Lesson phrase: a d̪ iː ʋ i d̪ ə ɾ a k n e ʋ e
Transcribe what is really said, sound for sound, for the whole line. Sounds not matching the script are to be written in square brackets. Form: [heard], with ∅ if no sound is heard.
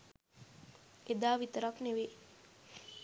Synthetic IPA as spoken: [e] d̪ [aː] ʋ i [t̪] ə ɾ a k n e ʋ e